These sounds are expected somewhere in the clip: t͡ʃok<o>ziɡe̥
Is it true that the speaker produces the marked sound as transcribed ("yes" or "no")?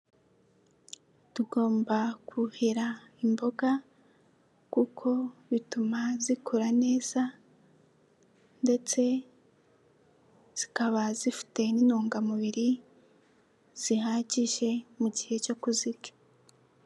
no